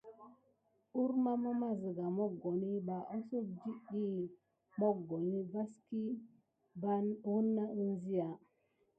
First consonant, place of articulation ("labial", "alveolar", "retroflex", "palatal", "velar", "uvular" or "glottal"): alveolar